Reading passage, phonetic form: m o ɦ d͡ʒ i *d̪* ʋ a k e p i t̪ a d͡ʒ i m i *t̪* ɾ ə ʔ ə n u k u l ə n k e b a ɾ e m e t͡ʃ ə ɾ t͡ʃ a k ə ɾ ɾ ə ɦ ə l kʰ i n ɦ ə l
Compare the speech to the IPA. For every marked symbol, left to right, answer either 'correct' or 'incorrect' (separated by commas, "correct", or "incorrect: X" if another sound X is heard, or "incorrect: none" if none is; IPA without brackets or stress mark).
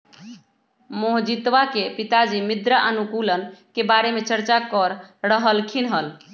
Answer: incorrect: t̪, incorrect: d̪